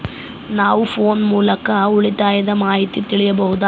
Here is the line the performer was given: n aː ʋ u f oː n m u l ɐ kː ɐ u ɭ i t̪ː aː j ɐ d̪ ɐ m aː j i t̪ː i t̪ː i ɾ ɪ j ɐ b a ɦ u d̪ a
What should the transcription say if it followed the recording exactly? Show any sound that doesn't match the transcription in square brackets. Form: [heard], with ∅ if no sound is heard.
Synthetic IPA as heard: n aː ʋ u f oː n m [uː] l ɐ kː ɐ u ɭ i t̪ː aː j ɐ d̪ ɐ m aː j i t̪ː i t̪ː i [ɭ] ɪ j ɐ b [ɐ] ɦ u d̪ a